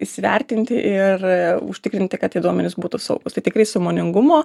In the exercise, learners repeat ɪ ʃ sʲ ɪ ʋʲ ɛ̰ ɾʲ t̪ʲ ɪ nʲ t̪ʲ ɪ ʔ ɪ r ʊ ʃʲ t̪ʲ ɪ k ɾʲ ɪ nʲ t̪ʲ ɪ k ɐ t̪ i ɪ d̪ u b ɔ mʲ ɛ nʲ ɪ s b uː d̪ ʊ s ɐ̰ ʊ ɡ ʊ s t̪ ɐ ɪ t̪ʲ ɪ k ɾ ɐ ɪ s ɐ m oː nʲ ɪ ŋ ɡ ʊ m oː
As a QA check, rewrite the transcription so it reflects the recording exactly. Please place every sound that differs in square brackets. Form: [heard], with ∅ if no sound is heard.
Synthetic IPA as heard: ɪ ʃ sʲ ɪ ʋʲ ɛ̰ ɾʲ t̪ʲ ɪ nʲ t̪ʲ ɪ ʔ ɪ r ʊ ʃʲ t̪ʲ ɪ k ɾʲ ɪ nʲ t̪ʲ ɪ k ɐ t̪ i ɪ d̪ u [∅] ɔ mʲ ɛ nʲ ɪ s b uː [t̪] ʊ s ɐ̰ ʊ ɡ ʊ s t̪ ɐ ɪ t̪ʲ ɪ k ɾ ɐ ɪ s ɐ m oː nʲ ɪ ŋ ɡ ʊ m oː